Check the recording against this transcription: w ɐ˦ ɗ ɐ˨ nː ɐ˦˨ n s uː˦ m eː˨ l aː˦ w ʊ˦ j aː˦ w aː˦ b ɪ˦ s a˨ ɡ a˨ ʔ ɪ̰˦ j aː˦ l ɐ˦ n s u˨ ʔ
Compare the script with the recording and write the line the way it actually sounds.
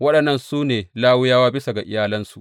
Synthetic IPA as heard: w ɐ˦ ɗ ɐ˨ nː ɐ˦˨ n s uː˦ n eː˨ l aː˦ w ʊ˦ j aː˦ w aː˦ b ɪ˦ s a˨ ɡ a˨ ʔ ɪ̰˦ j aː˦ l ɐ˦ n s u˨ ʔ